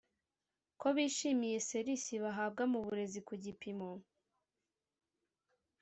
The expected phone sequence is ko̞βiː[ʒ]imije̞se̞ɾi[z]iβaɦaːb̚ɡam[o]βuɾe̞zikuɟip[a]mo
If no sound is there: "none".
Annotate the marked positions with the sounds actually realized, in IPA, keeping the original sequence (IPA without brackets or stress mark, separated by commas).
ʃ, s, u, i